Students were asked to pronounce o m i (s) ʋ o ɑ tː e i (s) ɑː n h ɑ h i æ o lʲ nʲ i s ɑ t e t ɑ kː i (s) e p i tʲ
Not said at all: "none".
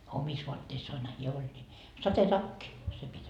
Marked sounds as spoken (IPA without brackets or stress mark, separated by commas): s, sː, s